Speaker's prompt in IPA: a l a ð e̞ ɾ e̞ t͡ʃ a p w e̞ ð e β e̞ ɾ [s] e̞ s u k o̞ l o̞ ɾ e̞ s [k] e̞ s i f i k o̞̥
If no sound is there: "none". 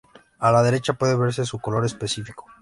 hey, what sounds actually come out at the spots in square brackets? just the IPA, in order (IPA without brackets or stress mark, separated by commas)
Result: s, p